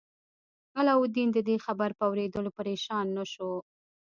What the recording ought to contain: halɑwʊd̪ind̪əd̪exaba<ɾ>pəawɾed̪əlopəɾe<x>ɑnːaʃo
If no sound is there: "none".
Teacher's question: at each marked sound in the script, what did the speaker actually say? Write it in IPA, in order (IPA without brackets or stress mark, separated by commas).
ɾ, ʃ